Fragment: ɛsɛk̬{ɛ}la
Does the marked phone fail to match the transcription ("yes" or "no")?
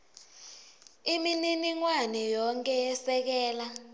yes